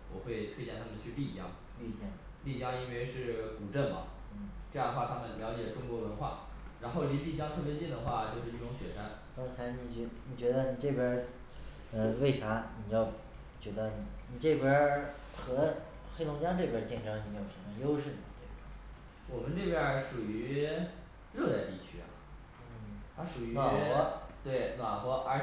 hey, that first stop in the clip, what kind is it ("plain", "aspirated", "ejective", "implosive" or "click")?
aspirated